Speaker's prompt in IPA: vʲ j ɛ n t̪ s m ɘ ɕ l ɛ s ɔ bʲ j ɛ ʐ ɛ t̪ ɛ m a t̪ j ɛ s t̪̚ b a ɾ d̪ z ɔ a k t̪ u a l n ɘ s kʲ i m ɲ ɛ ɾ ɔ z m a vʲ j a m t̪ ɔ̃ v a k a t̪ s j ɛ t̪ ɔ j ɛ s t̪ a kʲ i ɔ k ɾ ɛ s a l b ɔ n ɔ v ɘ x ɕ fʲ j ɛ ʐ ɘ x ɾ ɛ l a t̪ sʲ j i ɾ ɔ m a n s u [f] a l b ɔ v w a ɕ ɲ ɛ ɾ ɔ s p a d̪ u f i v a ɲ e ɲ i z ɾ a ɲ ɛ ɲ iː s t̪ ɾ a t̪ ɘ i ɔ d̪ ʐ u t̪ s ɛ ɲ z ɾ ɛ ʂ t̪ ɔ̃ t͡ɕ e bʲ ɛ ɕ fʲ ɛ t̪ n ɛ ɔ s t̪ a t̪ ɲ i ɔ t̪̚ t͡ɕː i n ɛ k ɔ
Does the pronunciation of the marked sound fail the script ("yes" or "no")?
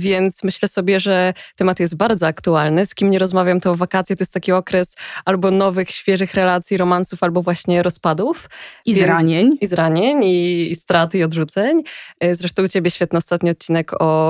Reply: no